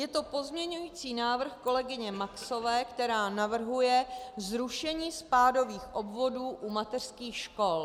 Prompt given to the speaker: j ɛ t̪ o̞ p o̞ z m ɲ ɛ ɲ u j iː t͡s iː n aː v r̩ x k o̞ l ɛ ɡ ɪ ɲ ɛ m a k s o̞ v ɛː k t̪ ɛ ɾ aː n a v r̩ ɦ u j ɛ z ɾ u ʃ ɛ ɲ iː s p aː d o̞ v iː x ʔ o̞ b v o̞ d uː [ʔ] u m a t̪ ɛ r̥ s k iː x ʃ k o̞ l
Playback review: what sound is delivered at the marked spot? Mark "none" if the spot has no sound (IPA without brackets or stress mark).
ʔ